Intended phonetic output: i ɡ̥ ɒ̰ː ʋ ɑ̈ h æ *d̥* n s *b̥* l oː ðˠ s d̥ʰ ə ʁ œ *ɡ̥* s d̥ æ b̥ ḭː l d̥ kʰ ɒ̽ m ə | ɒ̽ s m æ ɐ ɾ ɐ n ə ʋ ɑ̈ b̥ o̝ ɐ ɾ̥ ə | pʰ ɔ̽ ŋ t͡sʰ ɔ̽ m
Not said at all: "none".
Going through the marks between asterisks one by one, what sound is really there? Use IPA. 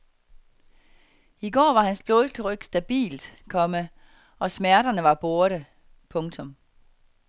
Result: none, b̥, ɡ̥

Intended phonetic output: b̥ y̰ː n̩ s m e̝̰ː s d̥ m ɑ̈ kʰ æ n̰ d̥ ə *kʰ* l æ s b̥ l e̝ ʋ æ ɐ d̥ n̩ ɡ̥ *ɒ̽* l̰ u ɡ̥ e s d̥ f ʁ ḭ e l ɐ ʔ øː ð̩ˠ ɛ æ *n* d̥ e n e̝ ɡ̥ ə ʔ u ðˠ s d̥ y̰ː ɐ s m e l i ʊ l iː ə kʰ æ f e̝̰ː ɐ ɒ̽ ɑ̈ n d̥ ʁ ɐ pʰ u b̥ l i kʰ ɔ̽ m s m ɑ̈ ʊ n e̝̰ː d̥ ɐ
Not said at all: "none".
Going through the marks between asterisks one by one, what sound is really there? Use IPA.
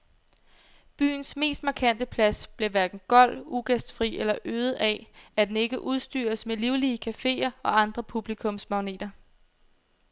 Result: pʰ, ɒ̽, none

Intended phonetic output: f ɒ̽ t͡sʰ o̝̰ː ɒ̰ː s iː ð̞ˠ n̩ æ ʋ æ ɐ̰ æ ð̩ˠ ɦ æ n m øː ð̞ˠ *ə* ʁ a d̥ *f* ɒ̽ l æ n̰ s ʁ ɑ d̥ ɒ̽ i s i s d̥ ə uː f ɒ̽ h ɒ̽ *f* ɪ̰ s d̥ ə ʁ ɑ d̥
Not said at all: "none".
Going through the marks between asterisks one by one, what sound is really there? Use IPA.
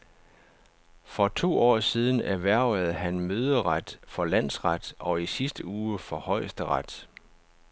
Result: ə, f, none

